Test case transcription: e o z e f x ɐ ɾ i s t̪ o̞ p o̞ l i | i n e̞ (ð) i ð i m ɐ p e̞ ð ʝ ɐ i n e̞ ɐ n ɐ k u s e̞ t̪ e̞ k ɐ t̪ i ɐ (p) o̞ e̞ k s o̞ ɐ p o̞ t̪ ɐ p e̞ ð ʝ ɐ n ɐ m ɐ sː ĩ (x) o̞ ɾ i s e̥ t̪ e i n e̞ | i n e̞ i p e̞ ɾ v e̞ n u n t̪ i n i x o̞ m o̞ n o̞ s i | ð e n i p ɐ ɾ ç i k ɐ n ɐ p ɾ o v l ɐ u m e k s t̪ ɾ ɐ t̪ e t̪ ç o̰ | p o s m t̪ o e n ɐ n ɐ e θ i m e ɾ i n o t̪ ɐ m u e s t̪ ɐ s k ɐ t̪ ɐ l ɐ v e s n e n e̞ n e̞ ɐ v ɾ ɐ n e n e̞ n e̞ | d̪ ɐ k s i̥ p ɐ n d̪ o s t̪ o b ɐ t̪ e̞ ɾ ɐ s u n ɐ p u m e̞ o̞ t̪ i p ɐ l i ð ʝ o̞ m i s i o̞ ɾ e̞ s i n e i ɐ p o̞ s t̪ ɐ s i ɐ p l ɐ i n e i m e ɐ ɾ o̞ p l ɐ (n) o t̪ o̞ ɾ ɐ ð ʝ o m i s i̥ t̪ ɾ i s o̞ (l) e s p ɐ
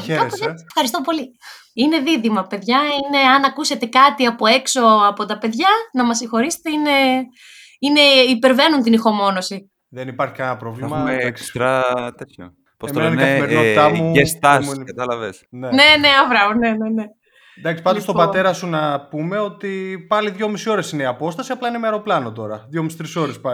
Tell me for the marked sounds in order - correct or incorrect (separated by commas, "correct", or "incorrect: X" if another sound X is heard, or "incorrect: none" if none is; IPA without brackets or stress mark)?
correct, correct, correct, correct, incorrect: ɾ